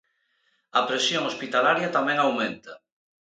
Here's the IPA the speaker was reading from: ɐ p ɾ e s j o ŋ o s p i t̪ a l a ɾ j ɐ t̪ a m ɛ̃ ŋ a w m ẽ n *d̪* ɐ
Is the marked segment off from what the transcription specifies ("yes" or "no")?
yes